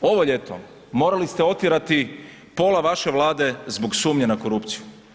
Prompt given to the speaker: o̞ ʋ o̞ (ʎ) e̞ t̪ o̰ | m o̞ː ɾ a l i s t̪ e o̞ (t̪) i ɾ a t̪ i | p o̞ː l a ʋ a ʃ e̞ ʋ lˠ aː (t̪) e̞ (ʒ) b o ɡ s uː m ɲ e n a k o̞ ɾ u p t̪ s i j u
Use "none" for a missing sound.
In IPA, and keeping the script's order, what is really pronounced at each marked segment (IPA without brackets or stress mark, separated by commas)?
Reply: ʎ, t̪, d̪, z